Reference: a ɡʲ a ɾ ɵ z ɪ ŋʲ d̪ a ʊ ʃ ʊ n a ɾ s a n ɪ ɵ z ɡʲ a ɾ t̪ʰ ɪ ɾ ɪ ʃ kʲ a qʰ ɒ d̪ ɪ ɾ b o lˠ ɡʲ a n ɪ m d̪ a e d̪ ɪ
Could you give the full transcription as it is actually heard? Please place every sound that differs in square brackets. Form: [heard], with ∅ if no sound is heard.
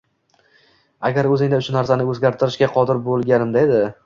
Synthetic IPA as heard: a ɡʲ a ɾ ɵ z ɪ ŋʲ d̪ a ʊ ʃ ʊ n a ɾ s a n ɪ ɵ z ɡʲ a ɾ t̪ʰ ɪ ɾ ɪ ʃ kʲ a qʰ ɒ d̪ ɪ ɾ b o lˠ ɡʲ a n ɪ m d̪ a e d̪ ɪ